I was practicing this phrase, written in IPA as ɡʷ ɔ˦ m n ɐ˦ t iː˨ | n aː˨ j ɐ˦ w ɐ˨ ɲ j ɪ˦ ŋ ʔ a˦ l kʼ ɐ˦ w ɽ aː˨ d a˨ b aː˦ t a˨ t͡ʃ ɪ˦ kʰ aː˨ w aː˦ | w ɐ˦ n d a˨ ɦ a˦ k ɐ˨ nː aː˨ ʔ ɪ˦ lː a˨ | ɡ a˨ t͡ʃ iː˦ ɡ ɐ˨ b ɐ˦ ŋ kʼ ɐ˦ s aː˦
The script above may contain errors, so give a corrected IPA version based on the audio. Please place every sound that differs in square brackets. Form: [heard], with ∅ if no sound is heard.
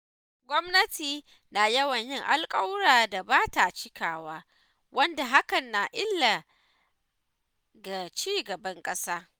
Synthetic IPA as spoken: ɡʷ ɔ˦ m n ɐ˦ t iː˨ | n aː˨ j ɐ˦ w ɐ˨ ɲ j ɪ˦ ŋ ʔ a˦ l kʼ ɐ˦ w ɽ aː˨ d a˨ b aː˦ t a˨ t͡ʃ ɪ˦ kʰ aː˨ w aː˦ | w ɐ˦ n d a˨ ɦ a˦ k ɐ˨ nː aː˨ ʔ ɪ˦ lː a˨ | ɡ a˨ t͡ʃ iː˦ ɡ ɐ˨ b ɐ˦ ŋ kʼ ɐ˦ s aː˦